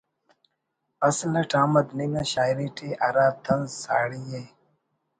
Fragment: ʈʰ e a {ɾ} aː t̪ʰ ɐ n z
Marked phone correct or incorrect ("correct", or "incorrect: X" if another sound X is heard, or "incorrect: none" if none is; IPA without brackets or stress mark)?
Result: correct